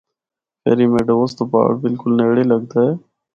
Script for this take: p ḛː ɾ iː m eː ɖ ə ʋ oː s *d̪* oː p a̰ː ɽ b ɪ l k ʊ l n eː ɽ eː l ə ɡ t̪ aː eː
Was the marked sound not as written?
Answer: yes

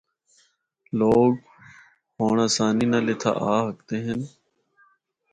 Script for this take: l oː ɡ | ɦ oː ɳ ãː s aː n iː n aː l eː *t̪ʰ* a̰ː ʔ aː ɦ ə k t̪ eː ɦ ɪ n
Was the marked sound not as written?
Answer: no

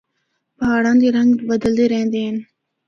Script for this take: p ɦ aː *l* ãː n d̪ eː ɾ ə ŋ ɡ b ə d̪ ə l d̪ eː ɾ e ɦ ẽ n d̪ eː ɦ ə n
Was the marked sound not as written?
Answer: yes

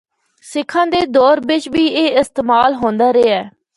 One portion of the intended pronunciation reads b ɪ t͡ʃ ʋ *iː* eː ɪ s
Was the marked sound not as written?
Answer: no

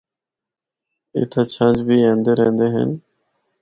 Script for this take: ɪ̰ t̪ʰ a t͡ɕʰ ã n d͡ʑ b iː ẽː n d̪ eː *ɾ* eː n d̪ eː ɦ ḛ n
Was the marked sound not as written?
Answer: no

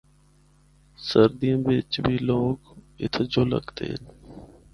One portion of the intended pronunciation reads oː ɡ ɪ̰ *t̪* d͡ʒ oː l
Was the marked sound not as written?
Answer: yes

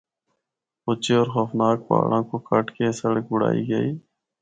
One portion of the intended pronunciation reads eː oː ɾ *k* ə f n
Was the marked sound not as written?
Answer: yes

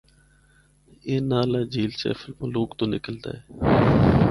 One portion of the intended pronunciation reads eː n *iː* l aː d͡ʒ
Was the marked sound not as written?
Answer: yes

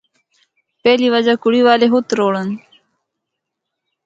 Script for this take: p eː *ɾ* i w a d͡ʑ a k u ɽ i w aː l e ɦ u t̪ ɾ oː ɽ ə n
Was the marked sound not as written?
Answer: yes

